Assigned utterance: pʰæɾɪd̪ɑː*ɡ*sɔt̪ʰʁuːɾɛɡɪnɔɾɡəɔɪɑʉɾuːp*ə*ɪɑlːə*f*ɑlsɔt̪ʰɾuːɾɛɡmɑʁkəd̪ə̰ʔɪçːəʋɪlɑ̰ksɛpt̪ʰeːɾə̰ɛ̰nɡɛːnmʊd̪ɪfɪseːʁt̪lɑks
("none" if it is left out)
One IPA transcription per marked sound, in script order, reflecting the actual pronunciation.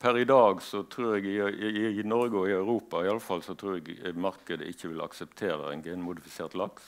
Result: ɡ, ɑ, f

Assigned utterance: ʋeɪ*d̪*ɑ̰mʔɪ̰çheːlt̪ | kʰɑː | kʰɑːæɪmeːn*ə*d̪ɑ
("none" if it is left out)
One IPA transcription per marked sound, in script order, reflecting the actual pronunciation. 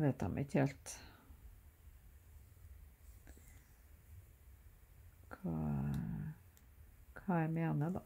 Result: t̪, ə

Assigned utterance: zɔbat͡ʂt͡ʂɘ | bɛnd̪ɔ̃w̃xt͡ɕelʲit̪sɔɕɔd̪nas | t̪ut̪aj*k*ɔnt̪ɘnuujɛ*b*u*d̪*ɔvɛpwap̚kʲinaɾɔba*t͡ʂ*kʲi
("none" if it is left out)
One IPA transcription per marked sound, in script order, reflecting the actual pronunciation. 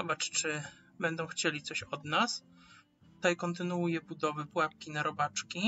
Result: k, b, d̪, t͡ʂ

